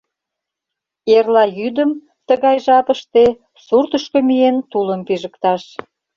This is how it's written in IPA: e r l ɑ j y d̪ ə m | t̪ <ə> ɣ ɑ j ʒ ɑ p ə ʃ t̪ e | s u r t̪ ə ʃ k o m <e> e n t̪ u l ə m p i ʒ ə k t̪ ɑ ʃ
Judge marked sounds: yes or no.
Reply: yes, no

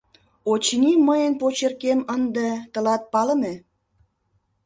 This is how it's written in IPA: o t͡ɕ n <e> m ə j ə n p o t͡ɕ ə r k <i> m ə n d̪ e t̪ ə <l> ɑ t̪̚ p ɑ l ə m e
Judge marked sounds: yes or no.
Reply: no, no, yes

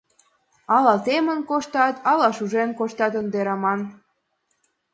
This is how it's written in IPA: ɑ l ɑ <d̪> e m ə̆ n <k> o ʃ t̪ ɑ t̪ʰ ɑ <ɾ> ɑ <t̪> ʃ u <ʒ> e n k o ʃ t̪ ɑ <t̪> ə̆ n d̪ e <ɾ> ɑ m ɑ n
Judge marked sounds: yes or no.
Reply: no, yes, no, no, yes, yes, yes

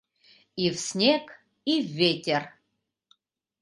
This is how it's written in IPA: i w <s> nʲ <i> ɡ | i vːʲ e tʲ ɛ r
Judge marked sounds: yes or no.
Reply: yes, no

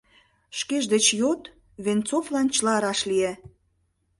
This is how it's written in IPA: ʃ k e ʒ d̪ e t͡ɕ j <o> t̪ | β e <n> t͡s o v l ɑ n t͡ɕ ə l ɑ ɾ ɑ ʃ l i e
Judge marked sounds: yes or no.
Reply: yes, yes

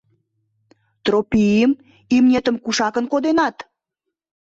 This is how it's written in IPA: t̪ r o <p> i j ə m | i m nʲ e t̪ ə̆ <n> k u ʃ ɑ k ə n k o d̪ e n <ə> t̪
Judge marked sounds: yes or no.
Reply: yes, no, no

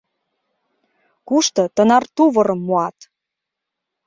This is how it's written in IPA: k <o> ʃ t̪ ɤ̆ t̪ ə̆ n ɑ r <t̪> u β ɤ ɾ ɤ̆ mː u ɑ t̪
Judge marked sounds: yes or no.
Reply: no, yes

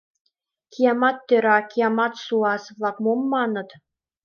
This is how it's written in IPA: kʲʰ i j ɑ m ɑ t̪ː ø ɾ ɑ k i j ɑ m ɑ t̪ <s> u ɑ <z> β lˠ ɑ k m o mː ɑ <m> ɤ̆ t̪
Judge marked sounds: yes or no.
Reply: yes, no, no

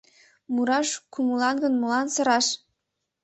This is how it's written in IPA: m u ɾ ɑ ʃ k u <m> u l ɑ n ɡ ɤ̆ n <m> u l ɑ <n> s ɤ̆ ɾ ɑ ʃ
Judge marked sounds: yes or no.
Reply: yes, yes, yes

